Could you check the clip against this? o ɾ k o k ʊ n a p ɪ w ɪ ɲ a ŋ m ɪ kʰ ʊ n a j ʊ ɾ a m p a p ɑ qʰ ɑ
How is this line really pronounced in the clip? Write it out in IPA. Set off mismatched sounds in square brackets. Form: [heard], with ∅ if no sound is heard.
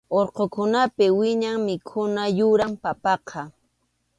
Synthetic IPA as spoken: o ɾ [q] o k ʊ n a p ɪ w ɪ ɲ a ŋ m ɪ kʰ ʊ n a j ʊ ɾ a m p a p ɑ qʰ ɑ